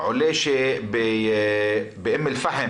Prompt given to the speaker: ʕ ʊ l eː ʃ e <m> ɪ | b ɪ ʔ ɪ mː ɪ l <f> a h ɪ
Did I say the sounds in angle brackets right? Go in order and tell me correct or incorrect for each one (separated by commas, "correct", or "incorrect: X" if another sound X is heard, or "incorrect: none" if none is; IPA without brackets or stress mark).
incorrect: b, correct